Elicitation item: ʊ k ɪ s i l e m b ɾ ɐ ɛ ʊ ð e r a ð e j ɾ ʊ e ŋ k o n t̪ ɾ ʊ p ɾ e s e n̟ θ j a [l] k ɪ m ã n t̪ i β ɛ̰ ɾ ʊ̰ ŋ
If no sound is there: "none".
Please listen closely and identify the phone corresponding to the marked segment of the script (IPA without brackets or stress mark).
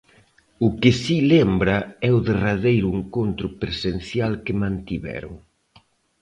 l